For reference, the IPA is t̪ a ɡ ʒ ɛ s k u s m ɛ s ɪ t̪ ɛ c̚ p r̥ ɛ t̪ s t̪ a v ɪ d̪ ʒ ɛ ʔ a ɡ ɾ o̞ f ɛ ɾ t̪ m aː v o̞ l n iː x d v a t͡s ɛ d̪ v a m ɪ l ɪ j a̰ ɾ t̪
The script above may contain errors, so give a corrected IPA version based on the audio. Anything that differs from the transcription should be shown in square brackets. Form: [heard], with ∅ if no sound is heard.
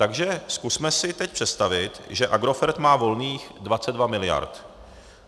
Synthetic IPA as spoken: t̪ a ɡ ʒ ɛ s k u s m ɛ s ɪ t̪ ɛ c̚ p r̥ ɛ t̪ s t̪ a v ɪ [t̪] ʒ ɛ ʔ a ɡ ɾ o̞ f ɛ ɾ t̪ m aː v o̞ l n iː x d v a t͡s ɛ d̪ v a m ɪ l ɪ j a̰ ɾ t̪